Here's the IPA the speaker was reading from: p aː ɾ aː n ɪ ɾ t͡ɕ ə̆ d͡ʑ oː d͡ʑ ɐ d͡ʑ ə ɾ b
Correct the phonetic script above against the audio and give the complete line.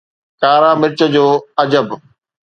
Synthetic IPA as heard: k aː ɾ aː m ɪ ɾ t͡ɕ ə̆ d͡ʑ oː ɐ d͡ʑ ə b